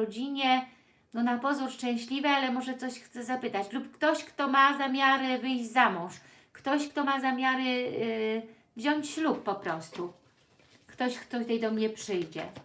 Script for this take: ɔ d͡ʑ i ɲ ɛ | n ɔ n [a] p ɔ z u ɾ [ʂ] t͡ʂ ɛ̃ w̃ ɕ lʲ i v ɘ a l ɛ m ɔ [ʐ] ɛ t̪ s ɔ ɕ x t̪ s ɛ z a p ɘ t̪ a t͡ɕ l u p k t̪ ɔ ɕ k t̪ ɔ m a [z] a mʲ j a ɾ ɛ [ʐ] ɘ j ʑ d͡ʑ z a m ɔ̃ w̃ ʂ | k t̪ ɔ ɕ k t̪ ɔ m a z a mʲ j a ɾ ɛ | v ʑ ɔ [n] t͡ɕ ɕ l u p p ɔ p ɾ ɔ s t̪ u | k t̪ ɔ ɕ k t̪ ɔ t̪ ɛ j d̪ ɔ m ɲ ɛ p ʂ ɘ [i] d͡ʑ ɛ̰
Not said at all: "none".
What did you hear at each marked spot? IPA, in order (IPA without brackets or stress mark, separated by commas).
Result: a, ʂ, ʐ, z, v, ɲ, j